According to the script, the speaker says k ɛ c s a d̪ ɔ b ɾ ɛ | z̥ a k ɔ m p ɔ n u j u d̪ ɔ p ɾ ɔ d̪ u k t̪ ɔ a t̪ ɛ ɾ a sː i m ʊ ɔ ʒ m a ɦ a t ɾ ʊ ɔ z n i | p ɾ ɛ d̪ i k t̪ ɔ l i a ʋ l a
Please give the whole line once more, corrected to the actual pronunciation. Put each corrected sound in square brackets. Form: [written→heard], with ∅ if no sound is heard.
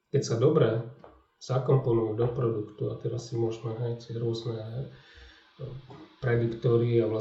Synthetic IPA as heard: k ɛ c s a d̪ ɔ b ɾ ɛ | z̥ a k ɔ m p ɔ n u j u d̪ ɔ p ɾ ɔ d̪ u k t̪ [ɔ→u] a t̪ ɛ ɾ a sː i m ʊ ɔ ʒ m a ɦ a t ɾ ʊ ɔ z n [i→ɛ] | p ɾ ɛ d̪ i k t̪ ɔ [l→ɾ] i a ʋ l a